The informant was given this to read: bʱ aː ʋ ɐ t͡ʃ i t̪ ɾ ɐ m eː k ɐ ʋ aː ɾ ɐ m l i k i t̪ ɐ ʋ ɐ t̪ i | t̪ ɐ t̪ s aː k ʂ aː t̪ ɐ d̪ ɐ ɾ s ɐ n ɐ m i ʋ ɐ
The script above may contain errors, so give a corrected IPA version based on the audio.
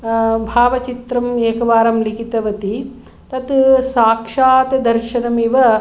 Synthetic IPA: bʱ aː ʋ ɐ t͡ʃ i t̪ ɾ ɐ m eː k ɐ ʋ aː ɾ ɐ m l i k i t̪ ɐ ʋ ɐ t̪ i | t̪ ɐ t̪ s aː k ʂ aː t̪ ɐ d̪ ɐ ɾ ʃ ɐ n ɐ m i ʋ ɐ